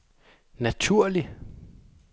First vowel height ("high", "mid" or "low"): low